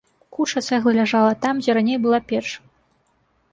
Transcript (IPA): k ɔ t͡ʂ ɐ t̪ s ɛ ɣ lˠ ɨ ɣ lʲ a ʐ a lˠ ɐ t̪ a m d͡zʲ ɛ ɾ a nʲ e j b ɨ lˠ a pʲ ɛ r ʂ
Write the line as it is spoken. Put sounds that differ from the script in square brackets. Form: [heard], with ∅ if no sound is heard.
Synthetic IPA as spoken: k [u] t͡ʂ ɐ t̪ s ɛ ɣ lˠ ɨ [∅] lʲ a ʐ a lˠ ɐ t̪ a m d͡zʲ ɛ ɾ a nʲ e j b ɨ lˠ a pʲ ɛ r ʂ

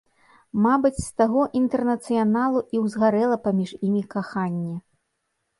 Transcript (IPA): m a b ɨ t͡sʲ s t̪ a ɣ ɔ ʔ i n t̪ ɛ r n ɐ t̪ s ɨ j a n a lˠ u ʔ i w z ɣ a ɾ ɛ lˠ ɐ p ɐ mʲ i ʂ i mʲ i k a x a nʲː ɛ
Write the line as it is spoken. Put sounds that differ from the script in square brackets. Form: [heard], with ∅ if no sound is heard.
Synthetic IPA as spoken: m a b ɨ t͡sʲ s t̪ a ɣ ɔ ʔ i n t̪ ɛ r n ɐ t̪ s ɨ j a n a lˠ u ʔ i w z ɣ a ɾ ɛ lˠ ɐ p [a] mʲ i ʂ i mʲ i k a x a nʲː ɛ

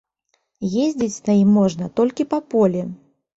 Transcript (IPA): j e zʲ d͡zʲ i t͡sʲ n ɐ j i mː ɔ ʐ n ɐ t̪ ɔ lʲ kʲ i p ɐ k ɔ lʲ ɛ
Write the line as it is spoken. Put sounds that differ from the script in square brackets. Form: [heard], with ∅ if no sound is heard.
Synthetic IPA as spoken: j e zʲ d͡zʲ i t͡sʲ n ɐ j i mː ɔ ʐ n ɐ t̪ ɔ lʲ kʲ i p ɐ [p] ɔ lʲ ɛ

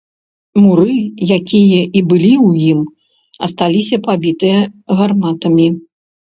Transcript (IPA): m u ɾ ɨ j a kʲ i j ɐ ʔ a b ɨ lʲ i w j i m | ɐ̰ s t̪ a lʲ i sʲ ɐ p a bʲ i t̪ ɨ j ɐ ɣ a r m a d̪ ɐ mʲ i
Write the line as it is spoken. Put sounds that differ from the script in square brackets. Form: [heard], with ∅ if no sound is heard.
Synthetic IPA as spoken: m u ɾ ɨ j a kʲ i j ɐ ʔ [i] b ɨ lʲ i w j i m | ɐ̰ s t̪ a lʲ i sʲ ɐ p a bʲ i t̪ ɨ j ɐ ɣ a r m a [t̪] ɐ mʲ i

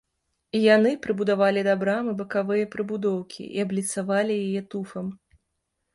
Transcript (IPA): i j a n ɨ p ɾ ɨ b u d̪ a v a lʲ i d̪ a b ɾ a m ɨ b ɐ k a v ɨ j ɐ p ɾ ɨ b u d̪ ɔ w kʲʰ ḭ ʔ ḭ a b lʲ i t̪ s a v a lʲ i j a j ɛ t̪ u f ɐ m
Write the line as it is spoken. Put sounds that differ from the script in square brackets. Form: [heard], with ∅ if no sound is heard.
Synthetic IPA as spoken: i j a n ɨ p ɾ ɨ b u d̪ a v a lʲ i d̪ a b ɾ a m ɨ b ɐ k a v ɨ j ɐ p ɾ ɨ b u d̪ ɔ w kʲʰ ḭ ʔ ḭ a b lʲ i t̪ s a v a lʲ i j a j ɛ t̪ u f ɐ m

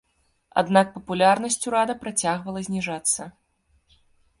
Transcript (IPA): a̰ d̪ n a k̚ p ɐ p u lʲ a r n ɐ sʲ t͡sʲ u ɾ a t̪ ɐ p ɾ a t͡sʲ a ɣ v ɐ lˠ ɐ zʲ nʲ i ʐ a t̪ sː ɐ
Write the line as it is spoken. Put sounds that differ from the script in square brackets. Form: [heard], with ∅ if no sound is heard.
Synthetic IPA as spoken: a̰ d̪ n a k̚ p ɐ p u lʲ a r n ɐ sʲ t͡sʲ u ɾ a [d̪] ɐ p ɾ a t͡sʲ a ɣ v ɐ lˠ ɐ zʲ nʲ i ʐ a t̪ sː ɐ

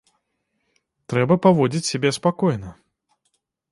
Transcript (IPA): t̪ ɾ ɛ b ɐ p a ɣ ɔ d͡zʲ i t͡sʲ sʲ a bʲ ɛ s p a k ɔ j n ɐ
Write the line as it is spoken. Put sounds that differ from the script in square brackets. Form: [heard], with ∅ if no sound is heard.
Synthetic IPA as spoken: t̪ ɾ ɛ b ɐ p a [v] ɔ d͡zʲ i t͡sʲ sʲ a bʲ ɛ s p a k ɔ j n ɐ

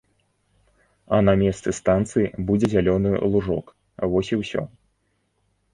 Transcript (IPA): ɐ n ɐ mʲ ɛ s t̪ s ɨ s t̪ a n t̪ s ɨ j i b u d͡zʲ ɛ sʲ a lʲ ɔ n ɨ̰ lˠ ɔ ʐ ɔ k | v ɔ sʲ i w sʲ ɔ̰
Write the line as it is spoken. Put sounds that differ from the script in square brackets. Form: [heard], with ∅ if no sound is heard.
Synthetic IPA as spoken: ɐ n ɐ mʲ ɛ s t̪ s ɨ s t̪ a n t̪ s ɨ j i b u d͡zʲ ɛ [zʲ] a lʲ ɔ n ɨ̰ lˠ [u] ʐ ɔ k | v ɔ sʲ i w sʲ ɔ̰

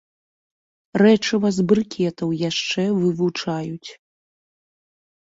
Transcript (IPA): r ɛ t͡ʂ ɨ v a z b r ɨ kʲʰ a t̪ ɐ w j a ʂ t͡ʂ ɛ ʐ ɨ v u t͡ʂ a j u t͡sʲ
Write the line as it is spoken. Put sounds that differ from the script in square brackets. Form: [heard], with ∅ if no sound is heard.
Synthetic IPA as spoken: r ɛ t͡ʂ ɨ v a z b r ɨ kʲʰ [ɛ] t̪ ɐ w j a ʂ t͡ʂ ɛ [v] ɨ v u t͡ʂ a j u t͡sʲ

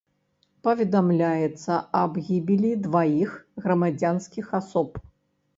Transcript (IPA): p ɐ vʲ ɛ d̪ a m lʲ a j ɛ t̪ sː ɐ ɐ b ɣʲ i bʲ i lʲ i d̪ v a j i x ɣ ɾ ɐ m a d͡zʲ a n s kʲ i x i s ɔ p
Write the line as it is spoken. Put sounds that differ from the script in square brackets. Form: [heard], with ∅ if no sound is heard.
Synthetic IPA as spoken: p ɐ vʲ ɛ d̪ a m lʲ a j ɛ t̪ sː ɐ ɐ b ɣʲ i bʲ i lʲ i d̪ v a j i x ɣ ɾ ɐ m a d͡zʲ a n s kʲ i x [a] s ɔ p

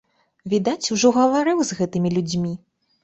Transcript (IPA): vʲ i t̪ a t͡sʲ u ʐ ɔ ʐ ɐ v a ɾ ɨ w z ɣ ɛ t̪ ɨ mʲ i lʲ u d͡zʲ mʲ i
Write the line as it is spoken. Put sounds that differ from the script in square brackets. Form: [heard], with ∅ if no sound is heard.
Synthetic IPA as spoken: vʲ i [d̪] a t͡sʲ u ʐ ɔ [ɣ] ɐ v a ɾ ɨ w z ɣ ɛ t̪ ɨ mʲ i lʲ u d͡zʲ mʲ i

